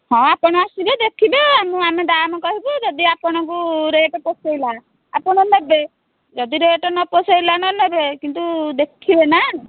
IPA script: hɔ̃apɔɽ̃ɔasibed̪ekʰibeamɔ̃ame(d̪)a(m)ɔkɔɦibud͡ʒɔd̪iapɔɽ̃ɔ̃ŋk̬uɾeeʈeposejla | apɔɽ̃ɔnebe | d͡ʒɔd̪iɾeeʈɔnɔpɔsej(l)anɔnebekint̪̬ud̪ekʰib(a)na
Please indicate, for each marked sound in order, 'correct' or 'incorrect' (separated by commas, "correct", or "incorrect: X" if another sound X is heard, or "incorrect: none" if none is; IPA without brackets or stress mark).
correct, correct, correct, incorrect: e